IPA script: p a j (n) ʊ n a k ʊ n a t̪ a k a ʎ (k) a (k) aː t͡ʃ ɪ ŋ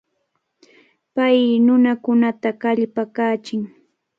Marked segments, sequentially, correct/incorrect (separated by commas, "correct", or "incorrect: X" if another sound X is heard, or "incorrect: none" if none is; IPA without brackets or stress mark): correct, incorrect: p, correct